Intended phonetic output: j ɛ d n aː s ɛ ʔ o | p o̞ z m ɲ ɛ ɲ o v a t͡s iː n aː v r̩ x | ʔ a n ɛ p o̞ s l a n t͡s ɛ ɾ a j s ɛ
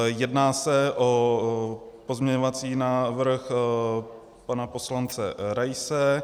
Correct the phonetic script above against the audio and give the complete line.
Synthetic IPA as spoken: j ɛ d n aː s ɛ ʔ o | p o̞ z m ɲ ɛ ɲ o v a t͡s iː n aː v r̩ x | p a n a p o̞ s l a n t͡s ɛ ɾ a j s ɛ